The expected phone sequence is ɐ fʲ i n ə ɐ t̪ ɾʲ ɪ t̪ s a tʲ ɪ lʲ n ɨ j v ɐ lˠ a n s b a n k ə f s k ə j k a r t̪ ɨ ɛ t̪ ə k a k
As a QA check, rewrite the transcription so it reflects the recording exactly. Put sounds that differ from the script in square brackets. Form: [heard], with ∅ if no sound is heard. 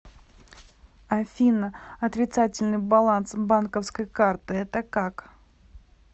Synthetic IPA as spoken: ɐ fʲ i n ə ɐ t̪ ɾʲ ɪ t̪ s a tʲ ɪ lʲ n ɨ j [b] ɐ lˠ a n s b a n k ə f s k ə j k a r t̪ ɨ ɛ t̪ ə k a k